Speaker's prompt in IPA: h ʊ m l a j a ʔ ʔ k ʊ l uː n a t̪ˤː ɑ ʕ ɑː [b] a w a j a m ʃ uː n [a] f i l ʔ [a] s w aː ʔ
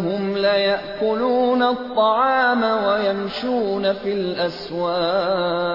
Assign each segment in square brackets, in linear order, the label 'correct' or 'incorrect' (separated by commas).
incorrect, correct, correct